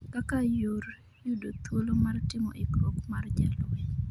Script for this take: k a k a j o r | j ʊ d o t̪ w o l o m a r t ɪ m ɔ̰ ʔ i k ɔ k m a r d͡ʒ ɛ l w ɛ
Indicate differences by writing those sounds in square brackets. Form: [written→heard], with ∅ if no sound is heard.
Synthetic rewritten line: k a k a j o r | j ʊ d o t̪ w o l o m a r t ɪ m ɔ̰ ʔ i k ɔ k m a r d͡ʒ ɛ l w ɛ

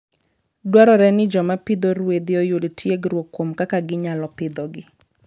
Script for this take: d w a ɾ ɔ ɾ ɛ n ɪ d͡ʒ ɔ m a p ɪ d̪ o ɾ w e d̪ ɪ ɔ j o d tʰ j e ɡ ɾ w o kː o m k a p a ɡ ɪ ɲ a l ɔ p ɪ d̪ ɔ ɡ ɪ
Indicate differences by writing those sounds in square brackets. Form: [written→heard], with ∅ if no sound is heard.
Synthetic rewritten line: d w a ɾ ɔ ɾ ɛ n ɪ d͡ʒ ɔ m a p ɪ d̪ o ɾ w e d̪ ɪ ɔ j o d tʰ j e ɡ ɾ w o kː o m k a [p→k] a ɡ ɪ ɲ a l ɔ p ɪ d̪ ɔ ɡ ɪ

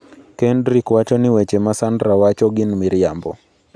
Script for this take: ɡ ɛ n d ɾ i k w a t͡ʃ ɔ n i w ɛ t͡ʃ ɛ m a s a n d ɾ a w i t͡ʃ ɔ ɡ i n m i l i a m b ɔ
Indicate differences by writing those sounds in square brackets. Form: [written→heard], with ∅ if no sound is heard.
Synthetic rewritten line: [ɡ→k] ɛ n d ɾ i k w a t͡ʃ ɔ n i w ɛ t͡ʃ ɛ m a s a n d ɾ a w [i→a] t͡ʃ ɔ ɡ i n m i [l→ɾ] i a m b ɔ

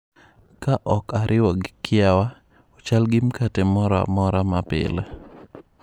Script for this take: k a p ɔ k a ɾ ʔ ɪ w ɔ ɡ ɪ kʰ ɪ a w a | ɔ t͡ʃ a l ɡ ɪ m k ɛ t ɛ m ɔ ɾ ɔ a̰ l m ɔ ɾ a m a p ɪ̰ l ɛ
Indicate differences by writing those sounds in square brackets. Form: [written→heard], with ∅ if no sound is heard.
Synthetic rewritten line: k a [p→ʔ] ɔ k a ɾ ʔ ɪ w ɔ ɡ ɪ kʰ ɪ a w a | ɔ t͡ʃ a l ɡ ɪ m k [ɛ→a] t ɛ m ɔ ɾ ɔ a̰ [l→∅] m ɔ ɾ a m a p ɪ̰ l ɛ

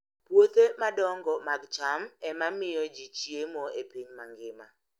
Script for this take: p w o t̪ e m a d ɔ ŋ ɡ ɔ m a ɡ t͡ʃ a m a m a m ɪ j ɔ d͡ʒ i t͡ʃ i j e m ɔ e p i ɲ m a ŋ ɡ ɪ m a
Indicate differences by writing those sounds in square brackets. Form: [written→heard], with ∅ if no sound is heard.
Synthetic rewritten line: p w o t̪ e m a d ɔ ŋ ɡ ɔ m a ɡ t͡ʃ a m [a→ɛ] m a m ɪ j ɔ d͡ʒ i t͡ʃ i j e m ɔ e p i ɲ m a ŋ ɡ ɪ m a

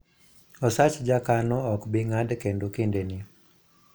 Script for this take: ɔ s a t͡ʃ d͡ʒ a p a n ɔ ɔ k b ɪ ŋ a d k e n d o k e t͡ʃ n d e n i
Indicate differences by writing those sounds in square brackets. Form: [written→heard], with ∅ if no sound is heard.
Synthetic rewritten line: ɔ s a t͡ʃ d͡ʒ a [p→k] a n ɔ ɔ k b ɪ ŋ a d k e n d o k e [t͡ʃ→∅] n d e n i

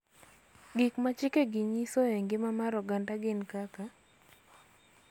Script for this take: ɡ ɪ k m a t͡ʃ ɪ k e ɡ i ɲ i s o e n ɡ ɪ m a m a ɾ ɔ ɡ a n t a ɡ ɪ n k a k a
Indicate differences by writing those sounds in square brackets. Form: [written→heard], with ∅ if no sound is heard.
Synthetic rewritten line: ɡ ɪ k m a t͡ʃ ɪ k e ɡ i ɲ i s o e [n→ŋ] ɡ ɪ m a m a ɾ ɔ ɡ a n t a ɡ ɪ n k a k a

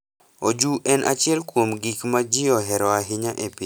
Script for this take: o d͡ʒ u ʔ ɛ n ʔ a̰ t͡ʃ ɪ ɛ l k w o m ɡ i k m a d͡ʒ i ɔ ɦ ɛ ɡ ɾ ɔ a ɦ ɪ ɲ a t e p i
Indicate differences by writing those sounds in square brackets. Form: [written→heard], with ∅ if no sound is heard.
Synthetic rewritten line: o d͡ʒ u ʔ ɛ n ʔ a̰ t͡ʃ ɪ ɛ l k w o m ɡ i k m a d͡ʒ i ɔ ɦ ɛ [ɡ→∅] ɾ ɔ a ɦ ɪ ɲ a [t→ʔ] e p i

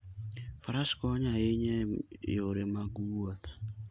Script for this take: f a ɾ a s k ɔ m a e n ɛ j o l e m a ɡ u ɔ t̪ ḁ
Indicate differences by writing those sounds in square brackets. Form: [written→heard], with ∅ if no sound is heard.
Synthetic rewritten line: f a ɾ a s k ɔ [m→ɲ] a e [n→ɲ] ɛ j o [l→ɾ] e m a ɡ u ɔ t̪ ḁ

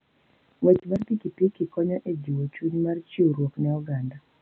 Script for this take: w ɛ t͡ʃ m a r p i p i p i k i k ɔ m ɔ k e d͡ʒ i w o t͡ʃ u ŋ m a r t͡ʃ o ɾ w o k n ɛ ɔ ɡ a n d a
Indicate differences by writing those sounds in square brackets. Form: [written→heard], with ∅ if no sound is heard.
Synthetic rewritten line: w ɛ t͡ʃ m a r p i [p→k] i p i k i k ɔ [m→ɲ] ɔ [k→ʔ] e d͡ʒ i w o t͡ʃ u [ŋ→ɲ] m a r t͡ʃ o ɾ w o k n ɛ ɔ ɡ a n d a

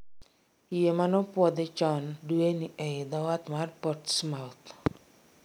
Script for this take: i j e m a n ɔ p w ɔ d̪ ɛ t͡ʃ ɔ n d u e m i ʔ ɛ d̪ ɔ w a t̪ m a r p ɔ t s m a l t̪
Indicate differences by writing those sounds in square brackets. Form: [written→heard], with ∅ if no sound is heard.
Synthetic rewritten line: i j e m a n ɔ p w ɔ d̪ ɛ t͡ʃ ɔ n d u e [m→n] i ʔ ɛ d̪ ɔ w a t̪ m a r p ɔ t s m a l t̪

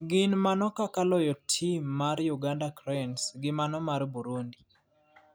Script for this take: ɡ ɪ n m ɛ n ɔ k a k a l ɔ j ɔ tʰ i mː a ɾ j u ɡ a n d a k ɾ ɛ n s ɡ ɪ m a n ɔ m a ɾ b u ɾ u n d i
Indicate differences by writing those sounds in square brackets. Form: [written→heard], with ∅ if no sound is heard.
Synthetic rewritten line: ɡ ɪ n m [ɛ→a] n ɔ k a k a l ɔ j ɔ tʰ i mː a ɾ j u ɡ a n d a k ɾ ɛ n s ɡ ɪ m a n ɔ m a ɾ b u ɾ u n d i

